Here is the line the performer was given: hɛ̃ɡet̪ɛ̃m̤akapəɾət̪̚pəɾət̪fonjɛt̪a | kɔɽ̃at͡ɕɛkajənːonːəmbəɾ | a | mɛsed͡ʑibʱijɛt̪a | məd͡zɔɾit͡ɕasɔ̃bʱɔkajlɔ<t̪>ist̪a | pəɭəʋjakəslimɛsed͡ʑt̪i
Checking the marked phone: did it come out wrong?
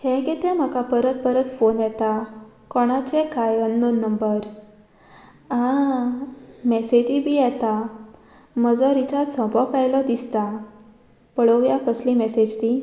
yes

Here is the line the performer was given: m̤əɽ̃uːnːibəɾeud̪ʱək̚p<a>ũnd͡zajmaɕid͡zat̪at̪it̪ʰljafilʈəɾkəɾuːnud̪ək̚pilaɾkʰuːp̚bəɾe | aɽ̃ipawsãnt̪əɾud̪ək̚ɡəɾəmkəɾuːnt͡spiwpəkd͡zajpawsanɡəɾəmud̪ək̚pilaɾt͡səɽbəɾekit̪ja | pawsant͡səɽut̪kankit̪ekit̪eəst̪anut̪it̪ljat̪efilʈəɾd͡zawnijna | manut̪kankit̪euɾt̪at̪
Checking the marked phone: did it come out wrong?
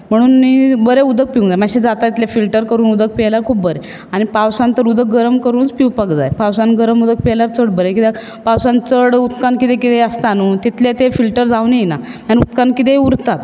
yes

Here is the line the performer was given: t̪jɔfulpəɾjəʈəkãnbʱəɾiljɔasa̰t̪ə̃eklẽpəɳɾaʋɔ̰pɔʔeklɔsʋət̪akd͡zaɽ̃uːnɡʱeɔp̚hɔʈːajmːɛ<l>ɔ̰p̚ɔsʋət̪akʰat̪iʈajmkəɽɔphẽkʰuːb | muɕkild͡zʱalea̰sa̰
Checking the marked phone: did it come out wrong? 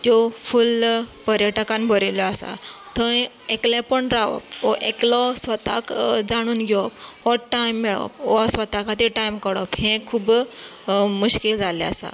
yes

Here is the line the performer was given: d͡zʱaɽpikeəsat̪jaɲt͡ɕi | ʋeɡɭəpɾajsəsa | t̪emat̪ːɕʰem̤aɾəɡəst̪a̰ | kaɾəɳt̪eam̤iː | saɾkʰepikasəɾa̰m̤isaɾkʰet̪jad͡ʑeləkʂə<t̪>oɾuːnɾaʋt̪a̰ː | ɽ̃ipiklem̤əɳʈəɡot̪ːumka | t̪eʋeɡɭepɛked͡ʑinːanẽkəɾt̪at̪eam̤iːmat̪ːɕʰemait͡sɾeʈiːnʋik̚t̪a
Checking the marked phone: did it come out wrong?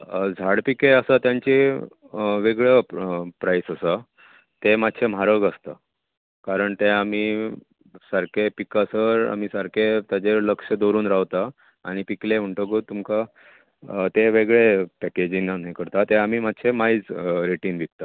yes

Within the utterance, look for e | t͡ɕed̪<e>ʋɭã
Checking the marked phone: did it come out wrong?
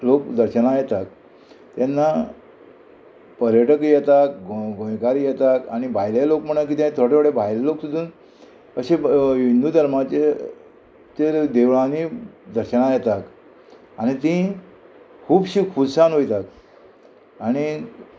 no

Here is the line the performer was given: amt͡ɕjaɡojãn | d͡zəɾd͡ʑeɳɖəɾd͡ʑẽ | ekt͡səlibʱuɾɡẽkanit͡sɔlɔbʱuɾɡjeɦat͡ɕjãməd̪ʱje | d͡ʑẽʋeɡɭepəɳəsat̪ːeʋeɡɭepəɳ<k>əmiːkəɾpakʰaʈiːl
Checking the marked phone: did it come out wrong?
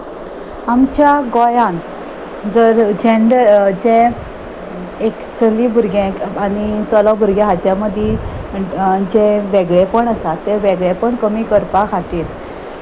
no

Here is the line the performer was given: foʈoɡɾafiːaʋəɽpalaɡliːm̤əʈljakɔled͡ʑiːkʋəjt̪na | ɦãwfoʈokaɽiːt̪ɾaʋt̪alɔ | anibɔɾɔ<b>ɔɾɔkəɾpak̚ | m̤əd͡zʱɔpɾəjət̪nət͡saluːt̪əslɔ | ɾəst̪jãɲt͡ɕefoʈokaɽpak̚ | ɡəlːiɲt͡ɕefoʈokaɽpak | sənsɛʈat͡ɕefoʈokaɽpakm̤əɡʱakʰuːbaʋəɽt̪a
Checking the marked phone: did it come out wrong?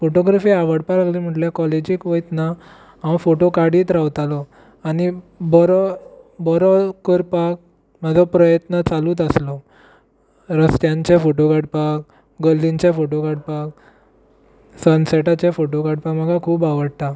no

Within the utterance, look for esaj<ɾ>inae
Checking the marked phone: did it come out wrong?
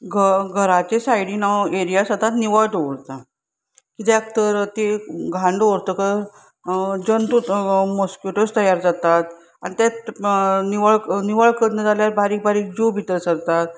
yes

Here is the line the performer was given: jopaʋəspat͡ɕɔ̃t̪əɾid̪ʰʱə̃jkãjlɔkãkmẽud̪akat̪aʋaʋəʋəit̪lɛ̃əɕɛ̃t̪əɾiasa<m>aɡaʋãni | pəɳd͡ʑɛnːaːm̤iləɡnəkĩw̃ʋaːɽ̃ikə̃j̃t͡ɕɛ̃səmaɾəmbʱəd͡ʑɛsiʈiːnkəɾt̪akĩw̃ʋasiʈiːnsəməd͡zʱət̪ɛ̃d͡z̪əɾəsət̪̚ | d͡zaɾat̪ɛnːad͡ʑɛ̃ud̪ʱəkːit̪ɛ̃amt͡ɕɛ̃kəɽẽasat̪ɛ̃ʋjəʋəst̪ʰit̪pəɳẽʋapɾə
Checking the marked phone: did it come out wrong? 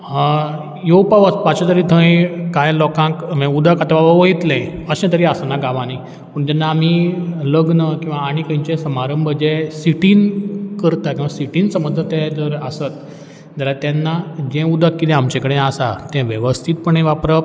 yes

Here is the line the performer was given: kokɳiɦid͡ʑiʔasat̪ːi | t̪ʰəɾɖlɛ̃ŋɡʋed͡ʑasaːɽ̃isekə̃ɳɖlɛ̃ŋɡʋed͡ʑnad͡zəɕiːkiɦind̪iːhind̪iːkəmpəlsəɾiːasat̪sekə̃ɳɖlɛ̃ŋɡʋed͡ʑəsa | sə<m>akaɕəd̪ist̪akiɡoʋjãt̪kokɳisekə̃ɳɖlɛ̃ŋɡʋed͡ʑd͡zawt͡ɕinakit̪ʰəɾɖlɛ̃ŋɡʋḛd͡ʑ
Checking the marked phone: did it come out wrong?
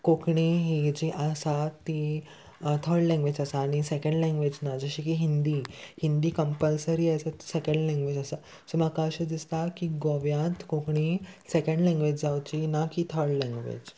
no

